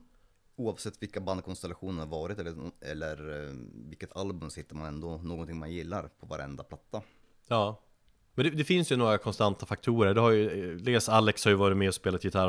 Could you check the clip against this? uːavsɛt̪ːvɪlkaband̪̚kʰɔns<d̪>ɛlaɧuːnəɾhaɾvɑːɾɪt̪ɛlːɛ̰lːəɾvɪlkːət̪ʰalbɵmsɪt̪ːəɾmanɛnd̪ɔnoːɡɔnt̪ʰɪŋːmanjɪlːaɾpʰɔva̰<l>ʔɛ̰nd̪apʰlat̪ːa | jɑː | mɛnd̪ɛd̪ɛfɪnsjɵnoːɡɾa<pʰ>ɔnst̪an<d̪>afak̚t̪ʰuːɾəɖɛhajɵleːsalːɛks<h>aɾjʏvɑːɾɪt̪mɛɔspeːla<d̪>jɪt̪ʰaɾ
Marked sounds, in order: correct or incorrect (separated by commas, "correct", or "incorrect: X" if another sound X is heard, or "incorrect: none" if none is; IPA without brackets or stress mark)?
incorrect: t̪, incorrect: ɾ, incorrect: kʰ, incorrect: t̪, correct, incorrect: t̪